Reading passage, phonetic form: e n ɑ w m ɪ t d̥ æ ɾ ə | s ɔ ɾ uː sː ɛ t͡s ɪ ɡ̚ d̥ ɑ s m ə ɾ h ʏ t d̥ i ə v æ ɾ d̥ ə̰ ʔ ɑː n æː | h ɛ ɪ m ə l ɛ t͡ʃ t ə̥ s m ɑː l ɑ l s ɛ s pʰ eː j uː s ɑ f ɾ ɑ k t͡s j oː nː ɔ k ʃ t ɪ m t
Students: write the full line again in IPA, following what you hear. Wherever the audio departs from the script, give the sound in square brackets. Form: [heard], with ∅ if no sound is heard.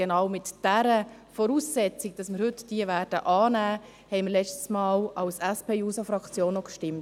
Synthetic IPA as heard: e n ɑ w m ɪ t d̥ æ ɾ ə | [f] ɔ ɾ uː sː ɛ t͡s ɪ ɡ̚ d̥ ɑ s m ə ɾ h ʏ t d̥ i ə v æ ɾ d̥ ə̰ ʔ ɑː n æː | h ɛ ɪ m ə l ɛ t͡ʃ t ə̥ s m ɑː l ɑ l s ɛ s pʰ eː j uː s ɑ f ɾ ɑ k t͡s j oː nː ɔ k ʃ t ɪ m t